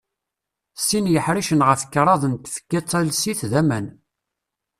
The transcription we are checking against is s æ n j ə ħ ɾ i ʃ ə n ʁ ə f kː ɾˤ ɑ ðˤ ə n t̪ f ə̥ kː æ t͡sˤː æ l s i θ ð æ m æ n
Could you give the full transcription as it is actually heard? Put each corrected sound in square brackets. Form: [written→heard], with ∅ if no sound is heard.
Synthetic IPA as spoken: s [æ→i] n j ə ħ ɾ i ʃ ə n ʁ ə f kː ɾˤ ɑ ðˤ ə n t̪ f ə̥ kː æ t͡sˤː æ l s i θ ð æ m æ n